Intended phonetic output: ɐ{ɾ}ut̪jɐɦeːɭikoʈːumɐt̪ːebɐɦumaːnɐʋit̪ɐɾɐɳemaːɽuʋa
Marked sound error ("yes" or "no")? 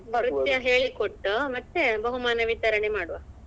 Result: no